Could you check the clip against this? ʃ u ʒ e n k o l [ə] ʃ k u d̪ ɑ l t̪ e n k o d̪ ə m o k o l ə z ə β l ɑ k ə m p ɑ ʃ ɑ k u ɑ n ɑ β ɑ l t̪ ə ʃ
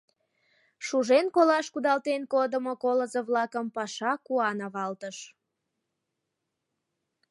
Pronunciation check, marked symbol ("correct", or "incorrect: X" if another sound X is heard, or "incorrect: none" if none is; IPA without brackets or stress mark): incorrect: ɑ